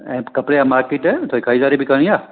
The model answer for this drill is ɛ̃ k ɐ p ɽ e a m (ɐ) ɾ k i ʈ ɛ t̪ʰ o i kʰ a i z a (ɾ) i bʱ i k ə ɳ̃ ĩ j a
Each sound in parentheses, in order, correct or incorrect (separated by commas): incorrect, correct